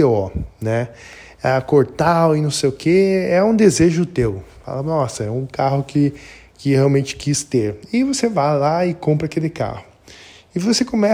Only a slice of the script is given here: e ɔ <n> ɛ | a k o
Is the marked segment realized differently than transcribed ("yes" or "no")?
no